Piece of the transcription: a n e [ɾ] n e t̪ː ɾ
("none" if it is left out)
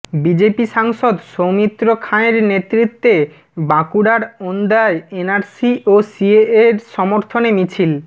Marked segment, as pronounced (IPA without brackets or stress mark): ɾ